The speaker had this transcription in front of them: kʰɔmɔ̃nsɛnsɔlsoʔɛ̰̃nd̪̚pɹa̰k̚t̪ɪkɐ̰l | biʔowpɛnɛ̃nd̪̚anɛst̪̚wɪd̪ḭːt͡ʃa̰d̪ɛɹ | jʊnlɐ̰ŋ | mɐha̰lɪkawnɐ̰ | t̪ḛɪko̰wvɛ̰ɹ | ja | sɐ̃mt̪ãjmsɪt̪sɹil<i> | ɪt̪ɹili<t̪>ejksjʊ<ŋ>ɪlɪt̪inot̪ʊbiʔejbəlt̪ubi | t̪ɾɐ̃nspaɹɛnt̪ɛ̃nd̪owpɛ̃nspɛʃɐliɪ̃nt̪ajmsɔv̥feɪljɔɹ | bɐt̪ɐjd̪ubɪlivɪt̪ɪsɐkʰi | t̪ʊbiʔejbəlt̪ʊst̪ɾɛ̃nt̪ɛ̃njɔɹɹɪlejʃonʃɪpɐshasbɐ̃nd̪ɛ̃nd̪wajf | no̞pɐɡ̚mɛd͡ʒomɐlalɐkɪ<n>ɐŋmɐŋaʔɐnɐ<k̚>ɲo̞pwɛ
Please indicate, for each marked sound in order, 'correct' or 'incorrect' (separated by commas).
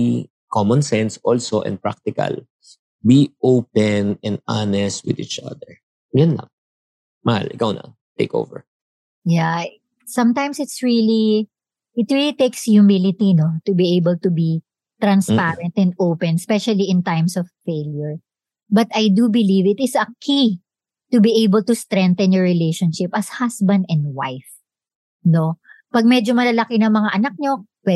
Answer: correct, correct, incorrect, correct, correct